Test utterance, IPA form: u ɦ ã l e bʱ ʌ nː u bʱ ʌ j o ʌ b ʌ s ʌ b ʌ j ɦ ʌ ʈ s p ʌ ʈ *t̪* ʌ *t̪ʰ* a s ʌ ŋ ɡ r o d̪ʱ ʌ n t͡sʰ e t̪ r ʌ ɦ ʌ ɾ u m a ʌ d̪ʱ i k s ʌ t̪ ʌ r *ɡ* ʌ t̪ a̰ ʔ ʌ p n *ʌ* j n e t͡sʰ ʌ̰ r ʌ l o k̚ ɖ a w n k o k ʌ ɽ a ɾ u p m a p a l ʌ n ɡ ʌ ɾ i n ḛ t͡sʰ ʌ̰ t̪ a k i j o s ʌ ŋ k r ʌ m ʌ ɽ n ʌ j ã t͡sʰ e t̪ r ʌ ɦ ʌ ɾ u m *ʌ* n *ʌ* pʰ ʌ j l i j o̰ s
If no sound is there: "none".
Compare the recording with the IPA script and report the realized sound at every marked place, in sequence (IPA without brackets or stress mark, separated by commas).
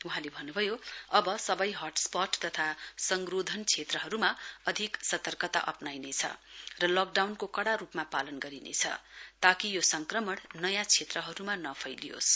t̪, t̪ʰ, k, a, a, ʌ